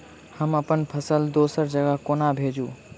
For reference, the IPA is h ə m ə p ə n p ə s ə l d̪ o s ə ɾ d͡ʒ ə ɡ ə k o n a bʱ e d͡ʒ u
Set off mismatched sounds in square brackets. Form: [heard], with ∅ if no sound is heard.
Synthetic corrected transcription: h ə m ə p ə n [pʰ] ə s ə l d̪ o s ə ɾ d͡ʒ ə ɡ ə k o n a bʱ e d͡ʒ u